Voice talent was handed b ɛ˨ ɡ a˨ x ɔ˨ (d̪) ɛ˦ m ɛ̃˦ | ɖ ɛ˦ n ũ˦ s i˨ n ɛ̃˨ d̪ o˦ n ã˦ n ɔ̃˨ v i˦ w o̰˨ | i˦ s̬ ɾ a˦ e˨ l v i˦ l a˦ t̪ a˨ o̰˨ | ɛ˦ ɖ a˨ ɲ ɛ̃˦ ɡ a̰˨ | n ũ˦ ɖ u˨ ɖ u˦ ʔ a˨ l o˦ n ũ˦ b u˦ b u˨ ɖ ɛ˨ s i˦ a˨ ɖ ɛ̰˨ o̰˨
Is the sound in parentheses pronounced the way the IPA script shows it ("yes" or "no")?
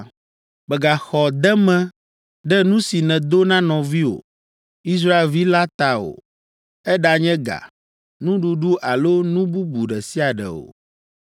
yes